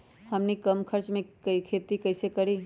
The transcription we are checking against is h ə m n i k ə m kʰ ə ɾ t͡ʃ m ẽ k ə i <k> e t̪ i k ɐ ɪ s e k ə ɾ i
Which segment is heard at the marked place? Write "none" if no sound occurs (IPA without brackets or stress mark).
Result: kʰ